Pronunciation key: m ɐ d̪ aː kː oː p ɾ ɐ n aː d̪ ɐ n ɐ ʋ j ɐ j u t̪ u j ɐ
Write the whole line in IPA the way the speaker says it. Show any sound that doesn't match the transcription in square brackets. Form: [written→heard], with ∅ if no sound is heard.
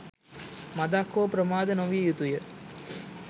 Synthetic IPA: m ɐ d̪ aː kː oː p ɾ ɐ [n→m] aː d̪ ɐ n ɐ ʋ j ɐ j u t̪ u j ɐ